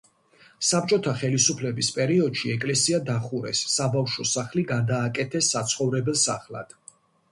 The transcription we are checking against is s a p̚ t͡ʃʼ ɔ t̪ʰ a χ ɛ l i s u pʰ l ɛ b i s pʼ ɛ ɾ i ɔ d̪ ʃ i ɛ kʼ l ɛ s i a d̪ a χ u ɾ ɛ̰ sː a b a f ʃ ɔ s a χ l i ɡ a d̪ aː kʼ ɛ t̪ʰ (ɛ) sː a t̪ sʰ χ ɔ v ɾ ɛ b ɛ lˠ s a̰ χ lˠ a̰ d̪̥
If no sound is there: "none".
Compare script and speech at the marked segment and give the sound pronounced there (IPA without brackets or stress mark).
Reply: ɛ